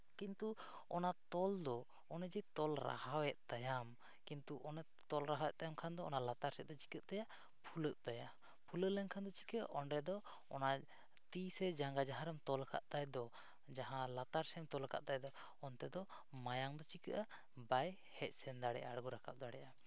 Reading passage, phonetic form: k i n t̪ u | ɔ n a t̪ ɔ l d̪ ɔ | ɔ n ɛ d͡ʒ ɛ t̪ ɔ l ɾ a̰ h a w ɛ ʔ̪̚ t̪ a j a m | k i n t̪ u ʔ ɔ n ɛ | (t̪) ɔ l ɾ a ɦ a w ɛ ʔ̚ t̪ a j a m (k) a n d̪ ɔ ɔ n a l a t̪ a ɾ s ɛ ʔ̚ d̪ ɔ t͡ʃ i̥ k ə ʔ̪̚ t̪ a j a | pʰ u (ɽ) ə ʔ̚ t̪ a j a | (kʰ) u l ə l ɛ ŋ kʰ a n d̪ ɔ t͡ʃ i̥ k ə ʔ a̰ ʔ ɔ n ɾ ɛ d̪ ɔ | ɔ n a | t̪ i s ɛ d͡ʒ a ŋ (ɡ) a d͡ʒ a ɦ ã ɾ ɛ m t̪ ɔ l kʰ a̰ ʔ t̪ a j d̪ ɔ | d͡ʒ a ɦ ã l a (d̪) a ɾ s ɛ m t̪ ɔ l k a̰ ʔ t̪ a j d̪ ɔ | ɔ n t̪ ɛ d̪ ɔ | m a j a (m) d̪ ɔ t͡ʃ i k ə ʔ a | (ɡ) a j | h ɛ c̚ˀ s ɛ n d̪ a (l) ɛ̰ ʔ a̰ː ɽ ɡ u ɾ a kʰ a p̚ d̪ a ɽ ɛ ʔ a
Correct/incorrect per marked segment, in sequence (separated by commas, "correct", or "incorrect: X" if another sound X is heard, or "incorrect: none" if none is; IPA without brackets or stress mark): correct, incorrect: kʰ, incorrect: l, incorrect: pʰ, correct, incorrect: t̪, incorrect: ŋ, incorrect: b, incorrect: ɽ